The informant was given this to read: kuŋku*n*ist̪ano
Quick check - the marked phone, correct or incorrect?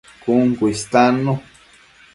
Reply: incorrect